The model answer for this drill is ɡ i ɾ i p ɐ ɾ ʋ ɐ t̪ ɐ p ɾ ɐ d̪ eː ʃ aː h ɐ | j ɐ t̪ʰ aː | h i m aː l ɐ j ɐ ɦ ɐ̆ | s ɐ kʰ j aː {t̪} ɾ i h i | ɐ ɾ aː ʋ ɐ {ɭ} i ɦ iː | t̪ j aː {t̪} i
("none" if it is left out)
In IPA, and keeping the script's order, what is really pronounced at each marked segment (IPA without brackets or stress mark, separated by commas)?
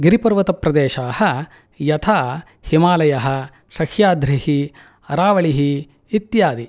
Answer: d̪, ɭ, d̪